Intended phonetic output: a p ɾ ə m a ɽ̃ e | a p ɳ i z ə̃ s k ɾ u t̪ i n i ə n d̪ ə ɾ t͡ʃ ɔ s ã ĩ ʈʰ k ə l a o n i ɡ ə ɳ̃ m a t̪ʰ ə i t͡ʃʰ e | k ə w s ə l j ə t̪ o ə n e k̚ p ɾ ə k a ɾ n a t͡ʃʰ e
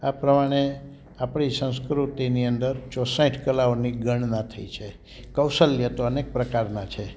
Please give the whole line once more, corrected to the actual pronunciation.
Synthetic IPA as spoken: a p ɾ ə m a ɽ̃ e | a p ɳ i s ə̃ s k ɾ u t̪ i n i ə n d̪ ə ɾ t͡ʃ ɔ s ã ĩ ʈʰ k ə l a o n i ɡ ə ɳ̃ n a t̪ʰ ə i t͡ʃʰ e | k ə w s ə l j ə t̪ o ə n e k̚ p ɾ ə k a ɾ n a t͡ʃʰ e